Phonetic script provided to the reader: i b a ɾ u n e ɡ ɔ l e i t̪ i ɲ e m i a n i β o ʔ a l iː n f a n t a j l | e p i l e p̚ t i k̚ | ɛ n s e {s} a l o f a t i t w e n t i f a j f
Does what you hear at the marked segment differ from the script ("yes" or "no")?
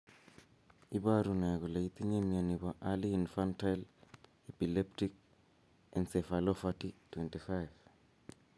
yes